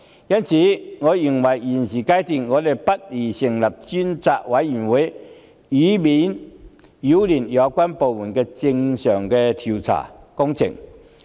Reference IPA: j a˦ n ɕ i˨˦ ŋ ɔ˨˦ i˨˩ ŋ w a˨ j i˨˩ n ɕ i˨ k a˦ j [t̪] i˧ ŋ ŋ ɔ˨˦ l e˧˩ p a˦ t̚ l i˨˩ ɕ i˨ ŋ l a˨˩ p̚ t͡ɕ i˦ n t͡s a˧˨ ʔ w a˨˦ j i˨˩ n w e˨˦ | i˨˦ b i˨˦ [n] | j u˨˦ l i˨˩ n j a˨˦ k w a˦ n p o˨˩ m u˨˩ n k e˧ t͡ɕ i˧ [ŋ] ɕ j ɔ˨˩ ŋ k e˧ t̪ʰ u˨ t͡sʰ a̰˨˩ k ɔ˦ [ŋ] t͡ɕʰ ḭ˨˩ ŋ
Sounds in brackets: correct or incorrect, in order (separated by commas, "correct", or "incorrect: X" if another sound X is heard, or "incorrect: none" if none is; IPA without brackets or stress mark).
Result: correct, correct, correct, correct